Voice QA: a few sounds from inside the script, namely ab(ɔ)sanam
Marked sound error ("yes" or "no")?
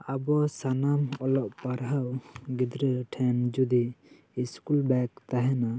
no